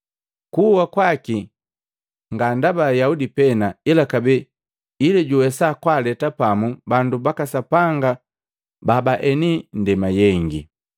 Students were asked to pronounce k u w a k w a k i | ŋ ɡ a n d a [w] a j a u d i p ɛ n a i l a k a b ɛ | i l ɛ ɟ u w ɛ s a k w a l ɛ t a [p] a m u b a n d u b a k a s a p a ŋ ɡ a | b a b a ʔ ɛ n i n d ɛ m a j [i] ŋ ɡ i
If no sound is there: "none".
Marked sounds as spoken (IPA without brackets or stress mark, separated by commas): b, p, ɛ